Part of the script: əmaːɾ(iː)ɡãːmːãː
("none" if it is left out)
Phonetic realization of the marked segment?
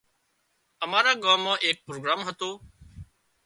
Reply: aː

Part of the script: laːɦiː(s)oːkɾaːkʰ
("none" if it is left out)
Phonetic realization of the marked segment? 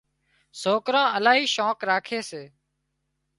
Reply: ʃ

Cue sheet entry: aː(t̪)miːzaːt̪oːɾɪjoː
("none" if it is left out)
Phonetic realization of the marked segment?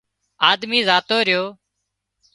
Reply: d̪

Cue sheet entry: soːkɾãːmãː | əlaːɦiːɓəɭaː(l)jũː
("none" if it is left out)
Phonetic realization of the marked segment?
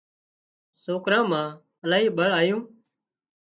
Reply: none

